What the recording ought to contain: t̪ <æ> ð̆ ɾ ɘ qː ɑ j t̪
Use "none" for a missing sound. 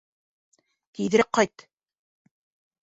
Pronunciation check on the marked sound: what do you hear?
i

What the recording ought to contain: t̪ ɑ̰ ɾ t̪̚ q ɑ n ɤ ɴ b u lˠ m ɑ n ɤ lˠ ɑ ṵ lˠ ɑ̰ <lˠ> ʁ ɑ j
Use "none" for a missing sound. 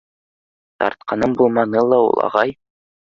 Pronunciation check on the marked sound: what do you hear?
none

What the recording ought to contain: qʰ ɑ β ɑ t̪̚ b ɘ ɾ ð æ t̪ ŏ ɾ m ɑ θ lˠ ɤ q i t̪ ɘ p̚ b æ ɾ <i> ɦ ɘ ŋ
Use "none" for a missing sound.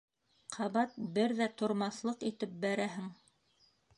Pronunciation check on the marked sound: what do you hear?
æ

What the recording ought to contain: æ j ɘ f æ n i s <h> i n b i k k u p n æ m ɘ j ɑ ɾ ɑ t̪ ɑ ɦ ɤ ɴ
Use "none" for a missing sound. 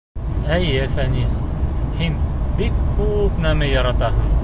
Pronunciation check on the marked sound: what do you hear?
h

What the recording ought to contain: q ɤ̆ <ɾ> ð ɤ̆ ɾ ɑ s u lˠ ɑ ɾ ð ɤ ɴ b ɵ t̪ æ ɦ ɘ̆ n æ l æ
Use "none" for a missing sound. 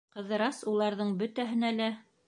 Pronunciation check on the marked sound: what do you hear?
none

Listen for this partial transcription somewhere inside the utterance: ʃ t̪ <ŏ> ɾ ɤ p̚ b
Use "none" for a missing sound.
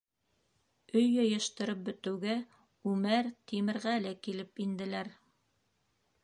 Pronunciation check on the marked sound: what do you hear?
ɤ̆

